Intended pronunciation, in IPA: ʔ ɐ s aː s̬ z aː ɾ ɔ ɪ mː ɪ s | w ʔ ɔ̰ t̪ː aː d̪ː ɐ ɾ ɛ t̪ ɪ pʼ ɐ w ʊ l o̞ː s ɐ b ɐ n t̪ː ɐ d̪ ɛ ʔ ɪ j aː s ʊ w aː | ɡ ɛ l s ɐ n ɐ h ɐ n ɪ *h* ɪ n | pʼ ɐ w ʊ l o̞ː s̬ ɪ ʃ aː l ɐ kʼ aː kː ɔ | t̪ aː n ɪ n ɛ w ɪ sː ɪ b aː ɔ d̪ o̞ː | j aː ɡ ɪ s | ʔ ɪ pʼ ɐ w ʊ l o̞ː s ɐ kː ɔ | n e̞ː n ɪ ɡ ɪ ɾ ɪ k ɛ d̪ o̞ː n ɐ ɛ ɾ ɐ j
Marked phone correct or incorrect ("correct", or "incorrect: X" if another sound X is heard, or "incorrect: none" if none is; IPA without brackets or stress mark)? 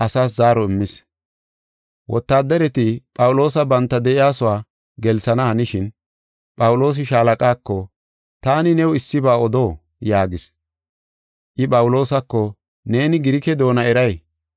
incorrect: ʃ